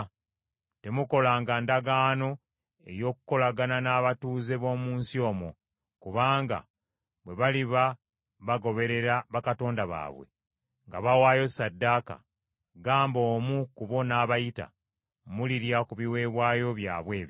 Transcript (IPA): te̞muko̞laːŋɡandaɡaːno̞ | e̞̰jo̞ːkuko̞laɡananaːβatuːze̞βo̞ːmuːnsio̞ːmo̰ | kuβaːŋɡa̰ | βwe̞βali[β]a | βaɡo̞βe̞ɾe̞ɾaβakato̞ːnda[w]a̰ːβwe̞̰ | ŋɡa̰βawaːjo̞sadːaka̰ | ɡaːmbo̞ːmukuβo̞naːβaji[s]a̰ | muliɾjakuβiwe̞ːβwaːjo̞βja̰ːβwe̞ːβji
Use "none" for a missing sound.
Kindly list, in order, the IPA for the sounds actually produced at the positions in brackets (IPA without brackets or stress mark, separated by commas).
β, β, t